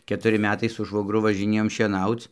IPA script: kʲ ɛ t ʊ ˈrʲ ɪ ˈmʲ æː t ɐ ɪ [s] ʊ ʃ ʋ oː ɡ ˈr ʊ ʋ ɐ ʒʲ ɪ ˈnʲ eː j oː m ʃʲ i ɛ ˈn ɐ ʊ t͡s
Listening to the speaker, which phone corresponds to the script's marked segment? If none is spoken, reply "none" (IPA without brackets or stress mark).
s